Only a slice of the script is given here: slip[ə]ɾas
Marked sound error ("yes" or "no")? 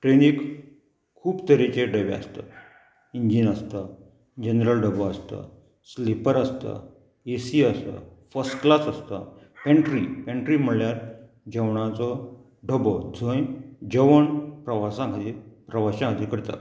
no